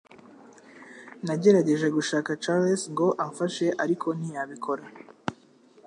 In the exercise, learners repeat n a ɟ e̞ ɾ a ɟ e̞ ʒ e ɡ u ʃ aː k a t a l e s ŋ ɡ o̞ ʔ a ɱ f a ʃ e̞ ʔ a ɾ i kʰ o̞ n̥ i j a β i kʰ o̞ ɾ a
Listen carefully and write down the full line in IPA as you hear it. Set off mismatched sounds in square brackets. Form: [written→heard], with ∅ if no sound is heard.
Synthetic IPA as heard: n a ɟ e̞ ɾ a ɟ e̞ ʒ e ɡ u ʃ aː k a [t→t͡ʃ] a l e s ŋ ɡ o̞ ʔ a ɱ f a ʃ e̞ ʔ a ɾ i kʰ o̞ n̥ i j a β i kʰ o̞ ɾ a